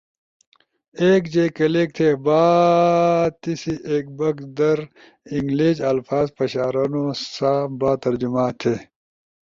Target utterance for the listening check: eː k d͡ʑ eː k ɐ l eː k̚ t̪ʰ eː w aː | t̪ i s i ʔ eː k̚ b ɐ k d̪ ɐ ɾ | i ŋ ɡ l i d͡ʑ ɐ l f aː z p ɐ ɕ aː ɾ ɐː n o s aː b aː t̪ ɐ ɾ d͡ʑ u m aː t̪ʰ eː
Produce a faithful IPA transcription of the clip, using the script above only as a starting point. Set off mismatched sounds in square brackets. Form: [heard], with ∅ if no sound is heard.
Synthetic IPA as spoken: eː k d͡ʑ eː k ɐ l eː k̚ t̪ʰ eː [b] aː | t̪ i s i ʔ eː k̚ b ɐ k d̪ ɐ ɾ | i ŋ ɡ l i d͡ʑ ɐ l f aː z p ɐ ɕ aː ɾ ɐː n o s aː b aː t̪ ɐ ɾ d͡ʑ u m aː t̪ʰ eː